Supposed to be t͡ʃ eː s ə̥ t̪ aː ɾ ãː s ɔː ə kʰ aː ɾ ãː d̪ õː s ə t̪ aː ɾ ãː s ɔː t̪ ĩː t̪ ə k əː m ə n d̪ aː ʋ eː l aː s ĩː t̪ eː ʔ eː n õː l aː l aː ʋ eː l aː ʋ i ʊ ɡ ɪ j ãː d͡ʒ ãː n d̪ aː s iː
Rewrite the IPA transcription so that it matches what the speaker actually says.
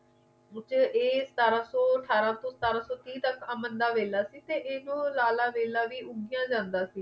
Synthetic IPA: t͡ʃ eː s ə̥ t̪ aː ɾ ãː s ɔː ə ʈʰ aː ɾ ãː t̪ õː s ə t̪ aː ɾ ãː s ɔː t̪ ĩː t̪ ə k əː m ə n d̪ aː ʋ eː l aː s iː t̪ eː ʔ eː n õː l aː l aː ʋ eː l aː ʋ iː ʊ ɡ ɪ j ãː d͡ʒ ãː n d̪ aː s iː